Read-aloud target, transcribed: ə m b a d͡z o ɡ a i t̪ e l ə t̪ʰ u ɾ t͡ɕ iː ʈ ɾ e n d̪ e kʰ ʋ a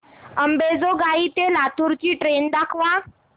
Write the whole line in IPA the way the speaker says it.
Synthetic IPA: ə m b e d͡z o ɡ a i t̪ e l a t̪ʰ u ɾ t͡ɕ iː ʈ ɾ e n d̪ a kʰ ʋ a